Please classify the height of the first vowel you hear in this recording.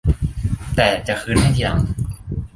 mid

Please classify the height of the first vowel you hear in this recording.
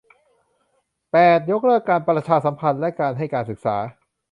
mid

